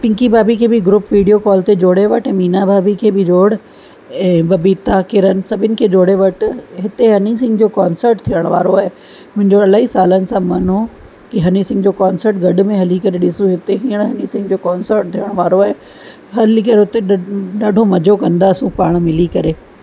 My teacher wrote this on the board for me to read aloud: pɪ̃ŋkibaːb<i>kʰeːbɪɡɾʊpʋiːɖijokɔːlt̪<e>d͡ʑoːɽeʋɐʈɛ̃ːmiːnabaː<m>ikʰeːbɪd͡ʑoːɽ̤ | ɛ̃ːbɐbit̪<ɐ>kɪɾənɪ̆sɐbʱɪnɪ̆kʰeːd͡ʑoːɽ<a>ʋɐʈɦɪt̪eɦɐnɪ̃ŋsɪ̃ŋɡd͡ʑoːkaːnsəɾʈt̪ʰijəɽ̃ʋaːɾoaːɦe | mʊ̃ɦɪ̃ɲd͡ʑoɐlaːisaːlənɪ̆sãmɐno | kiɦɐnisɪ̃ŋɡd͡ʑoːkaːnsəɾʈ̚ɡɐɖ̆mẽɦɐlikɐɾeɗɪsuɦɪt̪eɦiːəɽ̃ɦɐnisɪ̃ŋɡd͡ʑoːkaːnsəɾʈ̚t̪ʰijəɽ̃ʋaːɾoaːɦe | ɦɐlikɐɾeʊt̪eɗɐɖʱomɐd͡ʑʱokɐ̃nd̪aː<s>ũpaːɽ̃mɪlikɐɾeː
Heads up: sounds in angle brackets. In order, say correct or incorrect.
correct, correct, incorrect, incorrect, incorrect, correct

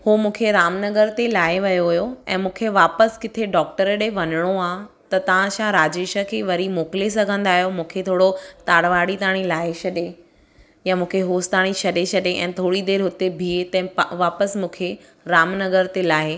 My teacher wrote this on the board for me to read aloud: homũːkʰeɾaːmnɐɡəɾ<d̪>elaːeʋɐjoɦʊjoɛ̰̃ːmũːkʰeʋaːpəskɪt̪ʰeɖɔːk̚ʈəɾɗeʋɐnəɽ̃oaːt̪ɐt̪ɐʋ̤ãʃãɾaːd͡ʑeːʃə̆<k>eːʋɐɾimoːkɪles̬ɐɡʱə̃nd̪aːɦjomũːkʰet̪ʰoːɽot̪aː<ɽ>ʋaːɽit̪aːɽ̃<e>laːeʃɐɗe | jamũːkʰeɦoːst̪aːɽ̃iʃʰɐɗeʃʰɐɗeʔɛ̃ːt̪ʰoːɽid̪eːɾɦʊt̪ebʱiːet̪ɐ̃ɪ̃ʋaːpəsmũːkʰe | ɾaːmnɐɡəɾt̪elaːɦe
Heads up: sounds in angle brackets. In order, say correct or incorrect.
incorrect, incorrect, correct, incorrect

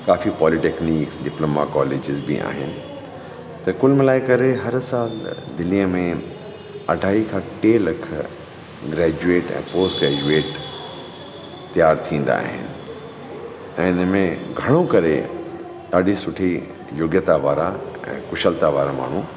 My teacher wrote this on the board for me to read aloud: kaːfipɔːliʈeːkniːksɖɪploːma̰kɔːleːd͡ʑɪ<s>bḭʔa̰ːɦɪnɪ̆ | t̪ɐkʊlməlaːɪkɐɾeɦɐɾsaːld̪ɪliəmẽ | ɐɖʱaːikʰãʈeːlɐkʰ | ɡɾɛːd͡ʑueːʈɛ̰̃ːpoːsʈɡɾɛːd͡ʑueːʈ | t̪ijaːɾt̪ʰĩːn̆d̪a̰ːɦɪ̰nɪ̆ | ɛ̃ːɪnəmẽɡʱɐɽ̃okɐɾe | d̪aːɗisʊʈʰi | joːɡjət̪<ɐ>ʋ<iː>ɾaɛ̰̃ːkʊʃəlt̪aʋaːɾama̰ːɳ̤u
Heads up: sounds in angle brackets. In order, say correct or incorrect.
incorrect, incorrect, incorrect

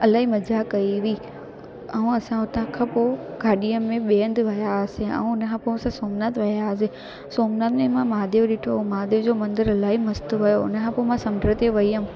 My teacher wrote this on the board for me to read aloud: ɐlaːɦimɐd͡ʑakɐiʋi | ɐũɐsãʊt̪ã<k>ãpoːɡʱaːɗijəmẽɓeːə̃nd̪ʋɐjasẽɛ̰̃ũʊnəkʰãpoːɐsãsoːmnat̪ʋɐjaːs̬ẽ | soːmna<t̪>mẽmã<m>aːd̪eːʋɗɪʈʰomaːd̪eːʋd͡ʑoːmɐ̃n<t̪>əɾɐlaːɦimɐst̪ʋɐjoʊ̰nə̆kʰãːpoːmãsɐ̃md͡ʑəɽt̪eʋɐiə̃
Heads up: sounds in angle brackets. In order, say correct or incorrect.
incorrect, correct, correct, incorrect

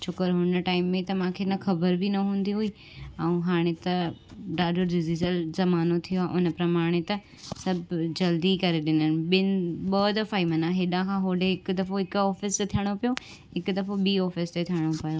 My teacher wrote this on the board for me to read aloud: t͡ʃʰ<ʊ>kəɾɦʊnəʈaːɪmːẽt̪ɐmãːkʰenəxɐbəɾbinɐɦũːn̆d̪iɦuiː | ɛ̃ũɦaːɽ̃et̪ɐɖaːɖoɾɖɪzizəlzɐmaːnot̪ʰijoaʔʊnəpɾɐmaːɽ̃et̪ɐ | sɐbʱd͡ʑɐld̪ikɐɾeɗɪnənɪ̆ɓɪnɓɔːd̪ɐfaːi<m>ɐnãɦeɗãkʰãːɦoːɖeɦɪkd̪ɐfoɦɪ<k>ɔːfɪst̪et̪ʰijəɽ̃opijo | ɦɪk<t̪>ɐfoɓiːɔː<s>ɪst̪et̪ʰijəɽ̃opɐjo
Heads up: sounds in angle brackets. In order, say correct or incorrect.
correct, correct, correct, incorrect, incorrect

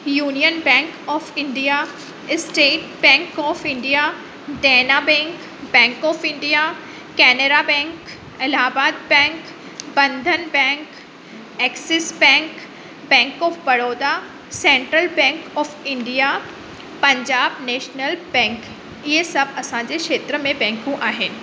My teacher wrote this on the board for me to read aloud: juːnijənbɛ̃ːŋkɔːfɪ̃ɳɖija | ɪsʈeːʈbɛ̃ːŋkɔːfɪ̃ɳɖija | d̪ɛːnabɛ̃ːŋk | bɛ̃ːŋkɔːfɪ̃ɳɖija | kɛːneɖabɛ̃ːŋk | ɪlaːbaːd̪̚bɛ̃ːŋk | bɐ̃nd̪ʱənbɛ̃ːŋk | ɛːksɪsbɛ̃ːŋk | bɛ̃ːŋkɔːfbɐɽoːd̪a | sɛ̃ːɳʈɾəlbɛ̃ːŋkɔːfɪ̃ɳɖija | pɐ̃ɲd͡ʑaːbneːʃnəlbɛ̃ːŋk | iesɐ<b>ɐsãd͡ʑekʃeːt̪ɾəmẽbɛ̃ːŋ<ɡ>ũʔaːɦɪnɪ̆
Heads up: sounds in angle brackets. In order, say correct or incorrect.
correct, incorrect

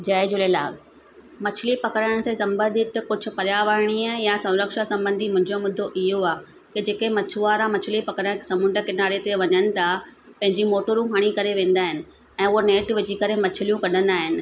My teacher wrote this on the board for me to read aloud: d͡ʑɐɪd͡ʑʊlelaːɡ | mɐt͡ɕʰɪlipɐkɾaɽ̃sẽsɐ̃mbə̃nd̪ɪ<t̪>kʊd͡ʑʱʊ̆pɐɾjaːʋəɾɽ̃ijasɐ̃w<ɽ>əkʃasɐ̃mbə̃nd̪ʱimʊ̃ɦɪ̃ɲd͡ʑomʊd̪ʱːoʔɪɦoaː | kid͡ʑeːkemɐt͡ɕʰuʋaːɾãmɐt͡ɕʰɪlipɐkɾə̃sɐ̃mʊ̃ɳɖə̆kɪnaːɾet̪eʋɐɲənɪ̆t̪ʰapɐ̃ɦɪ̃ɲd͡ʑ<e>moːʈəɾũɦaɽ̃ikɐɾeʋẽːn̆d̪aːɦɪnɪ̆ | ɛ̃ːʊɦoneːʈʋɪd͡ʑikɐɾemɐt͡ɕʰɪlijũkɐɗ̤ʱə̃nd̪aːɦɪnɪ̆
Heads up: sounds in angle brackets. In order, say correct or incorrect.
correct, incorrect, incorrect

